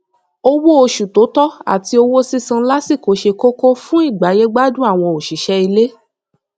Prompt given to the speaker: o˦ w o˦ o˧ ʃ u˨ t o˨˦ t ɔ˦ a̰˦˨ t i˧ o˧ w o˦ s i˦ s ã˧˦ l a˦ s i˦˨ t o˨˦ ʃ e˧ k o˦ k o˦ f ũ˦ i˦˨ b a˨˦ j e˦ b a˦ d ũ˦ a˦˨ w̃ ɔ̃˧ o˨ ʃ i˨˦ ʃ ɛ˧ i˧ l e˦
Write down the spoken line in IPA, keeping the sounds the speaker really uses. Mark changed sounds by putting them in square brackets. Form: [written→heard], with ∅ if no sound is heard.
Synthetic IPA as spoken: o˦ w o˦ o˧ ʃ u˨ t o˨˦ t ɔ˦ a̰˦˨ t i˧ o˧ w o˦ s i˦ s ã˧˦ l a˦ s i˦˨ [t→k] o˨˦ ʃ e˧ k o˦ k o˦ f ũ˦ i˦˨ [b→ɡ͡b] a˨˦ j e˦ [b→ɡ͡b] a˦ d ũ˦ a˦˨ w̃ ɔ̃˧ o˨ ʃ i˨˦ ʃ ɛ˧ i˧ l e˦

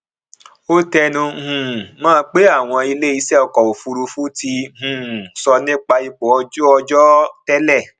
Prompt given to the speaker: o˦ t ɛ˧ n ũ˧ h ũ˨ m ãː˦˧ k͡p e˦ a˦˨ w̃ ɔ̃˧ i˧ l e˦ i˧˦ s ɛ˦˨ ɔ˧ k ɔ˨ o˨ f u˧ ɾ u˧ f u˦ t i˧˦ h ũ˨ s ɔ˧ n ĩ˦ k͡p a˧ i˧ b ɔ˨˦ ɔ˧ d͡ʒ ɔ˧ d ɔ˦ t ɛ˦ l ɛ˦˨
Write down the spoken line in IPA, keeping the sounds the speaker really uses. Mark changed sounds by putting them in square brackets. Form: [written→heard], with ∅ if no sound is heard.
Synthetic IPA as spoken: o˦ t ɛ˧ n ũ˧ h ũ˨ m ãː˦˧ k͡p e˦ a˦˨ w̃ ɔ̃˧ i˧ l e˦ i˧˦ s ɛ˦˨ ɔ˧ k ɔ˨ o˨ f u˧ ɾ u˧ f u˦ t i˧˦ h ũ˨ s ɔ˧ n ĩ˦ k͡p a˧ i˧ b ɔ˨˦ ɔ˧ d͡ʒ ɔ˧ [d→d͡ʒ] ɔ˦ t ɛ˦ l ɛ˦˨

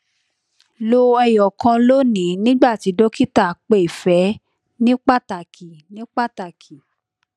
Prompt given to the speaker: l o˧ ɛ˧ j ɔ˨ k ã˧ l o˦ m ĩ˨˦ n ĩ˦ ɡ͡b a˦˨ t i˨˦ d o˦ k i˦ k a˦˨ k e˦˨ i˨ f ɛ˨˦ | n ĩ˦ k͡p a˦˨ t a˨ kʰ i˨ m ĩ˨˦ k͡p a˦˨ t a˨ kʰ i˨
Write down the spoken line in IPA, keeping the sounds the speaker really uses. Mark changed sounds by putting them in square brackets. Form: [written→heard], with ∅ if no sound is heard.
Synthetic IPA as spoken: l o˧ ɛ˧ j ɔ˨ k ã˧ l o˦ [m→n] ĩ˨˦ n ĩ˦ ɡ͡b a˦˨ t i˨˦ d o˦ k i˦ [k→t] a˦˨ [k→k͡p] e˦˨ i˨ f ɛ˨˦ | n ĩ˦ k͡p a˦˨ t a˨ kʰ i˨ [m→n] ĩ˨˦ k͡p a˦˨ t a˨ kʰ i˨

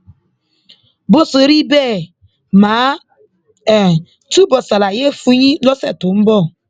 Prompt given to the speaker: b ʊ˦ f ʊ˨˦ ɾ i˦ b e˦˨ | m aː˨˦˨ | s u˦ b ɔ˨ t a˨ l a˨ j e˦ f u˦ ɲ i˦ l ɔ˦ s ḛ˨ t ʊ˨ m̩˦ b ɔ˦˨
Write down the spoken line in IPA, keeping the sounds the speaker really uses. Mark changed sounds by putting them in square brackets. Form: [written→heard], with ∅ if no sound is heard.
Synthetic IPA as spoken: b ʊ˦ [f→s] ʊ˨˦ ɾ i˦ b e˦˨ | m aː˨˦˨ | [s→t] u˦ b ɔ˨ [t→s] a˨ l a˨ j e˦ f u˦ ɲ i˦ l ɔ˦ s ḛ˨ t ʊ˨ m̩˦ b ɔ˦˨

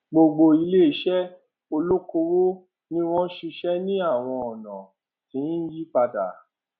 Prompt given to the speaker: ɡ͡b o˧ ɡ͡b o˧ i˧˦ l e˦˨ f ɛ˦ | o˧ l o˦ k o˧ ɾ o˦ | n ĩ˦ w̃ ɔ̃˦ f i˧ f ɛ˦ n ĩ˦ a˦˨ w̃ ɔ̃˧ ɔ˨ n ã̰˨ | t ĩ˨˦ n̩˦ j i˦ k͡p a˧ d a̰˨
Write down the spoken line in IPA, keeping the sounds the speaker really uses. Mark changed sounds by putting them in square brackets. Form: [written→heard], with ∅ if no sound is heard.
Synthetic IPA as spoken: ɡ͡b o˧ ɡ͡b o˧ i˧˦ l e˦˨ [f→ʃ] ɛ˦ | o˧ l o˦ k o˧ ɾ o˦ | n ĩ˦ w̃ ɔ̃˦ [f→ʃ] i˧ [f→ʃ] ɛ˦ n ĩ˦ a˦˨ w̃ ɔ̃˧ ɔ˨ n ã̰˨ | t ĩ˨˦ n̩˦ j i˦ k͡p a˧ d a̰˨

